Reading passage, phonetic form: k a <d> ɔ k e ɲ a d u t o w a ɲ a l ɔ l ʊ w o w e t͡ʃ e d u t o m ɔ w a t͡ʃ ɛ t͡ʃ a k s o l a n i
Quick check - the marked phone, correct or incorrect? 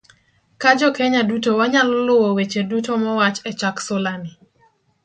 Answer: incorrect